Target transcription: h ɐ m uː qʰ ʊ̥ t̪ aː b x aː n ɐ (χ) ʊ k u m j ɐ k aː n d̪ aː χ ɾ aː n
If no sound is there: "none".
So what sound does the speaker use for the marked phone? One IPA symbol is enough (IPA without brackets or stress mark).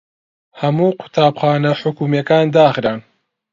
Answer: ħ